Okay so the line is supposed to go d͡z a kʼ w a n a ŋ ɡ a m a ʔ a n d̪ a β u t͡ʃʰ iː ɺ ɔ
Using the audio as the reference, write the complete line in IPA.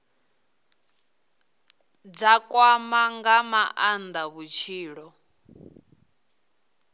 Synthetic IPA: d͡z a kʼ w a m a ŋ ɡ a m a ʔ a n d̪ a β u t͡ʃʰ iː ɺ ɔ

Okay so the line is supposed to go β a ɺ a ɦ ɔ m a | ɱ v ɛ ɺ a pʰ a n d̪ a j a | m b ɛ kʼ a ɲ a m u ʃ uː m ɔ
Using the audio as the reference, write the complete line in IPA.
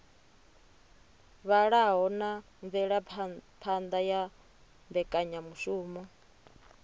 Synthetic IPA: β a ɺ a ɦ ɔ n a | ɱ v ɛ ɺ a pʰ a n d̪ a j a | m b ɛ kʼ a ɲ a m u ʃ uː m ɔ

